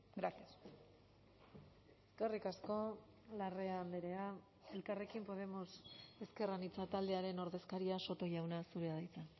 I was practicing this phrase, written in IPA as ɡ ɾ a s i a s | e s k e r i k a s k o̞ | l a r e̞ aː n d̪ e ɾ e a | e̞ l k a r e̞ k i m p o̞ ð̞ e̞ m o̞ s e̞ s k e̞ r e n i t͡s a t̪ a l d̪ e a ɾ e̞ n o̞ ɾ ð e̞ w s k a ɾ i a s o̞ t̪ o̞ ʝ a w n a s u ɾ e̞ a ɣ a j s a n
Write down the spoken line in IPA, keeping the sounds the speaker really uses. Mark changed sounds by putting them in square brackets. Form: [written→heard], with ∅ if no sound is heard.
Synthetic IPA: ɡ ɾ a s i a s | e s k e r i k a s k o̞ | l a r e̞ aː n d̪ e ɾ e a | e̞ l k a r e̞ k i m p o̞ ð̞ e̞ m o̞ s e̞ s k e̞ r [e→a] n i t͡s a t̪ a l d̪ e a ɾ e̞ n o̞ ɾ ð e̞ [w→∅] s k a ɾ i a s o̞ t̪ o̞ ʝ a w n a s u ɾ e̞ a [ɣ→ð] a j [s→t͡s] a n